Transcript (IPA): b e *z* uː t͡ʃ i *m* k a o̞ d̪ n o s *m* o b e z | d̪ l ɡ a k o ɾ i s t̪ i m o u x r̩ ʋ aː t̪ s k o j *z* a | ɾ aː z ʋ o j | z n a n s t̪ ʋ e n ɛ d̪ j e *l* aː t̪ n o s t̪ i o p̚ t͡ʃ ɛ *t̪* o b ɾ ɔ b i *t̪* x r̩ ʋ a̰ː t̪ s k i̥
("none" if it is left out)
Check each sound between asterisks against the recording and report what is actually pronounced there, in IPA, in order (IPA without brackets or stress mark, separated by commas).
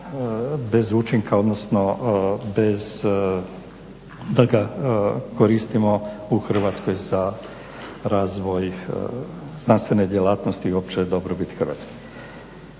z, ŋ, n, z, l, d̪, t̪